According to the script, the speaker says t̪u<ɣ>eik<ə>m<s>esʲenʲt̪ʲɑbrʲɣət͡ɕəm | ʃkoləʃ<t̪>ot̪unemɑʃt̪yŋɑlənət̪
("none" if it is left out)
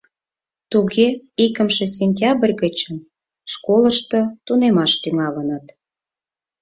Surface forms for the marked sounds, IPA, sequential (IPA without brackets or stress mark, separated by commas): ɣ, ə, ʃ, t̪